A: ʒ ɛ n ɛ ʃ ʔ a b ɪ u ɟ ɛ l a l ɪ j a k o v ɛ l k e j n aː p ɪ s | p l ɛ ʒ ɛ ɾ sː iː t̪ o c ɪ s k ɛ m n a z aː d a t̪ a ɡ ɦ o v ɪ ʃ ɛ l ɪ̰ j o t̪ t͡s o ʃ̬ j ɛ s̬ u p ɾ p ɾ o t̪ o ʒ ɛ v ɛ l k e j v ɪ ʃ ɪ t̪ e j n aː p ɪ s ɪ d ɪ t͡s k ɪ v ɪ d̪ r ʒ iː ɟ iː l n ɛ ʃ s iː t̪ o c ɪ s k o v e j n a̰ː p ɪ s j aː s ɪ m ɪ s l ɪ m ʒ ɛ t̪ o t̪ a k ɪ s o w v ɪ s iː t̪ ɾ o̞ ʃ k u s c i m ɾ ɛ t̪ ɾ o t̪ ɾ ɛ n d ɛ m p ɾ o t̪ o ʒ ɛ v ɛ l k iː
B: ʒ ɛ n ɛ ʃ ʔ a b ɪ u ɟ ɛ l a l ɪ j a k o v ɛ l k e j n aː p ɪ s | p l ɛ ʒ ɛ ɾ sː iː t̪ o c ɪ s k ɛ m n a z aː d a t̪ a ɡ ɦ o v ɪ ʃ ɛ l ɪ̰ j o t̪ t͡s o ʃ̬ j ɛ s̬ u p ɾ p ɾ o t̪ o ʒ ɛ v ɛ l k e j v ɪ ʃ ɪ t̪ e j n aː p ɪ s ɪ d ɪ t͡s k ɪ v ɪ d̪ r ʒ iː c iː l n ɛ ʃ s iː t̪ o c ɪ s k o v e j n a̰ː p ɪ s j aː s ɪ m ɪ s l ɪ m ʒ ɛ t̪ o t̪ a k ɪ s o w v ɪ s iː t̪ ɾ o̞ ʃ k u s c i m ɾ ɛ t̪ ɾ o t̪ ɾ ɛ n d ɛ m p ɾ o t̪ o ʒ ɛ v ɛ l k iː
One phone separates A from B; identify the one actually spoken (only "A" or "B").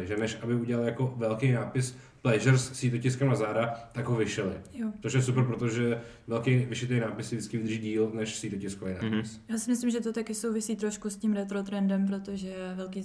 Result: A